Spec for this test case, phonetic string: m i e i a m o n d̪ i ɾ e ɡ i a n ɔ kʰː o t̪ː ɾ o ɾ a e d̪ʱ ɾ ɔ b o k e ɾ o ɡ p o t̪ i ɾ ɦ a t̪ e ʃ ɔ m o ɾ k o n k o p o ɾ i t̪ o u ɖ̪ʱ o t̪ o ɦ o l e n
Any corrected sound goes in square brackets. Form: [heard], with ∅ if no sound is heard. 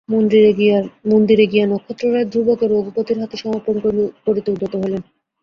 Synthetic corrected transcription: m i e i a m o n d̪ i ɾ e ɡ i a n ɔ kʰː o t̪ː ɾ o ɾ a e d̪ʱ ɾ [u] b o k e ɾ o ɡ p o t̪ i ɾ ɦ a t̪ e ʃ ɔ m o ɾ [p] o n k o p o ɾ i t̪ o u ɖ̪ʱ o t̪ o ɦ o l e n